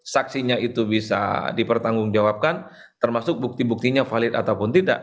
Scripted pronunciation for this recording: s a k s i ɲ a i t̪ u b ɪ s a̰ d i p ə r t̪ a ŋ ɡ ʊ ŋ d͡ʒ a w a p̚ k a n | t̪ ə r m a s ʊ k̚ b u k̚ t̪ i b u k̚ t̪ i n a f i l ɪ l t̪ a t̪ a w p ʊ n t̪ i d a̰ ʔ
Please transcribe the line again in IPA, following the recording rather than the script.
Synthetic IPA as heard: s a k s i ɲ a i t̪ u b i s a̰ d i p ə r t̪ a ŋ ɡ ʊ ŋ d͡ʒ a w a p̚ k a n | t̪ ə r m a s ʊ k̚ b u k̚ t̪ i b u k̚ t̪ i ɲ a f a l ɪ t̪ a t̪ a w p ʊ n t̪ i d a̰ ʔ